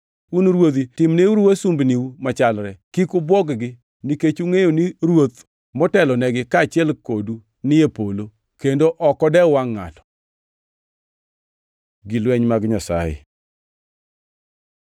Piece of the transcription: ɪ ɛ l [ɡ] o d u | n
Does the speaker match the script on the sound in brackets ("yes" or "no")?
no